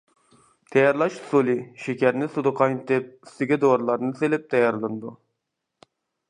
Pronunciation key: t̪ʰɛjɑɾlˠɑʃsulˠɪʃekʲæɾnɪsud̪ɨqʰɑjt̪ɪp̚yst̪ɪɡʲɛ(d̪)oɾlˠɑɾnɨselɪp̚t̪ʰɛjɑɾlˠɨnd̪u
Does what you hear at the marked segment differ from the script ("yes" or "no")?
no